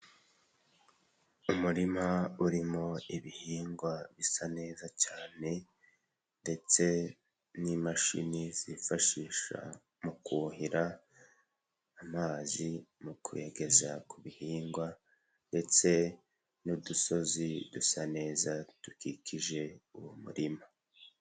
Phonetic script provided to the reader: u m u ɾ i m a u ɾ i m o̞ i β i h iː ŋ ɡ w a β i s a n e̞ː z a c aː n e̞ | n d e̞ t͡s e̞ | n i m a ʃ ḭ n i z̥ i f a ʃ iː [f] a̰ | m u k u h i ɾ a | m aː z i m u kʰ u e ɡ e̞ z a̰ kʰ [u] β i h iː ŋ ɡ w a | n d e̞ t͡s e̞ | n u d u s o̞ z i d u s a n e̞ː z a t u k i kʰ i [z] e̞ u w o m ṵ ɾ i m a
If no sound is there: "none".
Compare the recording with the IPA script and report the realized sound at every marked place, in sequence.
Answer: ʃ, u, ʒ

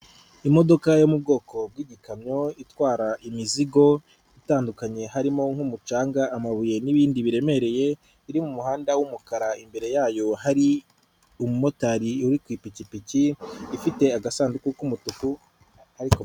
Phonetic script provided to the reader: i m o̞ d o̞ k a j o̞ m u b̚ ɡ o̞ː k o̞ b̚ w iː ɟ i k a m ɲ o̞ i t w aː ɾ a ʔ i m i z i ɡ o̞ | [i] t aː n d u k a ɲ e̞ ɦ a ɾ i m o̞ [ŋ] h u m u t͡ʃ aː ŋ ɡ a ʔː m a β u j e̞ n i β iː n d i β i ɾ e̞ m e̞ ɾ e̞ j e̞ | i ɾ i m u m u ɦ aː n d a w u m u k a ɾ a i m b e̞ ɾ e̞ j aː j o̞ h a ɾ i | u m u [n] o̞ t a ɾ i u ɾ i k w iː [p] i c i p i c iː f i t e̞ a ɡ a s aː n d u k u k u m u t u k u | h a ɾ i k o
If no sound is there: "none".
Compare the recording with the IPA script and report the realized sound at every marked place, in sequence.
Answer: i, ŋ, m, p

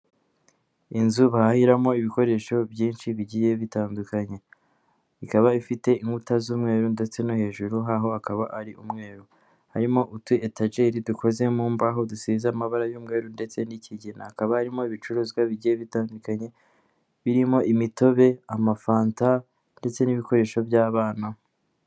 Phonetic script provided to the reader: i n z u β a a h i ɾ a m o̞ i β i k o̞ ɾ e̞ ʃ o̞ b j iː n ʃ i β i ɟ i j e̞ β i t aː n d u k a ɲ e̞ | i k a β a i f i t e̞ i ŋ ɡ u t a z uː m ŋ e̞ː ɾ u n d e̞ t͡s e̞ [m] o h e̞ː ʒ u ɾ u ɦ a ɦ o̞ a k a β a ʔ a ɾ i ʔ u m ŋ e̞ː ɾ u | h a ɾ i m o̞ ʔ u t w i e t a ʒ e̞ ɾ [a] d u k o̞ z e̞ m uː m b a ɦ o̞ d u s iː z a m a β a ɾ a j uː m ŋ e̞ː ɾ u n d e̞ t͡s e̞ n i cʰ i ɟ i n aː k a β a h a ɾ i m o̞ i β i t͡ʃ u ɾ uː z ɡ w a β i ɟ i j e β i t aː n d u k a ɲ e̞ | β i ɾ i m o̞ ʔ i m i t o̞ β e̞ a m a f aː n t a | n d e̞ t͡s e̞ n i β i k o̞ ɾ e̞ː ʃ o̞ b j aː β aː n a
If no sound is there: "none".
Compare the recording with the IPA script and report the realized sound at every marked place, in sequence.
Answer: n, i

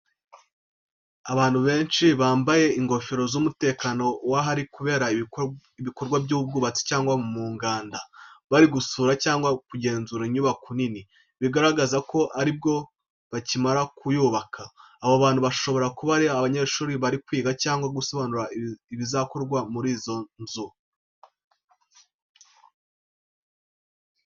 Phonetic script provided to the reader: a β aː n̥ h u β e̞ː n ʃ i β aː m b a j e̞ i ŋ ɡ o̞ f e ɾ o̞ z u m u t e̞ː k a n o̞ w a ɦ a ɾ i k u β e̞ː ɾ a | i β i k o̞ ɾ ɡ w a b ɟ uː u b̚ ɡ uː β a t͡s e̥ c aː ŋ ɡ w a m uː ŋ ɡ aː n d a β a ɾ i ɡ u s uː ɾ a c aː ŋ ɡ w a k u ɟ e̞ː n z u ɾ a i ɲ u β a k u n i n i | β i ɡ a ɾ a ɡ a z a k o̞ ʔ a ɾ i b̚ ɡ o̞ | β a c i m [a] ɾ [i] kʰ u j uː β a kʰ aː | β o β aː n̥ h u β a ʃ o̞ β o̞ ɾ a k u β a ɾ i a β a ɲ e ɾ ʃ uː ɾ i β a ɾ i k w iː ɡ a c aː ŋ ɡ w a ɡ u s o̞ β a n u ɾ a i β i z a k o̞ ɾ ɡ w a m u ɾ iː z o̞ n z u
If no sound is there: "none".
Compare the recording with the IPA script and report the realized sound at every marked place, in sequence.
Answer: a, a

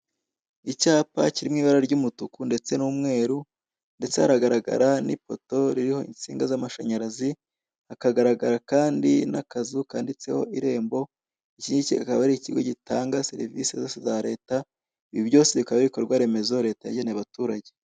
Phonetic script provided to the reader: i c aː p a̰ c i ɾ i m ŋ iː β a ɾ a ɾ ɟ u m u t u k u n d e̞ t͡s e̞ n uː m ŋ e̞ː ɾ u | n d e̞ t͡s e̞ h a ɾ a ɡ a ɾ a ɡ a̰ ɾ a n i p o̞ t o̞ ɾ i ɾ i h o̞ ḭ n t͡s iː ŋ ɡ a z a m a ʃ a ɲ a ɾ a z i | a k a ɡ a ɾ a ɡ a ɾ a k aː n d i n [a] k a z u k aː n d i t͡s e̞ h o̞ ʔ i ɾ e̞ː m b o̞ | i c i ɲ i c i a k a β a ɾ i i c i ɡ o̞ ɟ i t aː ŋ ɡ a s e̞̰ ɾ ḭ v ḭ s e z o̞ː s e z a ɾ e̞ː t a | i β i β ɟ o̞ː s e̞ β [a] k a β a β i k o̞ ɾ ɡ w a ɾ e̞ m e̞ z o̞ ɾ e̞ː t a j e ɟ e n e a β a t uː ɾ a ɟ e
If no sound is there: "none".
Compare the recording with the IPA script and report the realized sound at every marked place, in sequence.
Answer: a, i

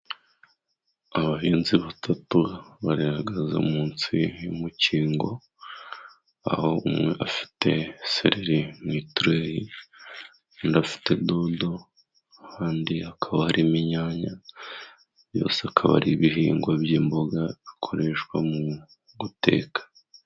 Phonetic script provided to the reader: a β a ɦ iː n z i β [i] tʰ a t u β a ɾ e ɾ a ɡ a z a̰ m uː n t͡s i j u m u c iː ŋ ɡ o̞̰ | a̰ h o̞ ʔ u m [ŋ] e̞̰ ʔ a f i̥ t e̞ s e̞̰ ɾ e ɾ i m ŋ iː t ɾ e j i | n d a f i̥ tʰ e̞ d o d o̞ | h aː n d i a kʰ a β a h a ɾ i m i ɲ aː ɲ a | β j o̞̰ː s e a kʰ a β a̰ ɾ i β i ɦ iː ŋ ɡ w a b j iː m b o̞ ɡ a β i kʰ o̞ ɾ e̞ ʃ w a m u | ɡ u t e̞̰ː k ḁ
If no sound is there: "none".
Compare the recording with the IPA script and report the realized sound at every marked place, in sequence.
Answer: a, ŋ

